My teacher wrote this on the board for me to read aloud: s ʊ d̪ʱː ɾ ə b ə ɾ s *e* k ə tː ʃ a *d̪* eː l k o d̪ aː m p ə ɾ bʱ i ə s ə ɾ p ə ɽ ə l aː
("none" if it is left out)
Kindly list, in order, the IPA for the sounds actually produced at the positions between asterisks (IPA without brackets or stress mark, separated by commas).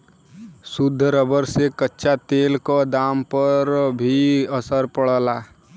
e, t̪